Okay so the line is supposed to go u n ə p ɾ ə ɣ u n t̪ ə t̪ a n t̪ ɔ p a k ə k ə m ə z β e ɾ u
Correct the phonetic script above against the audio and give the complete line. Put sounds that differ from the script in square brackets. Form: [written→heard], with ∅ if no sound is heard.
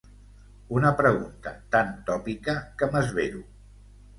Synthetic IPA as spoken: u n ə p ɾ ə ɣ u n t̪ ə t̪ a n t̪ ɔ p [a→i] k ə k ə m ə z β e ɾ u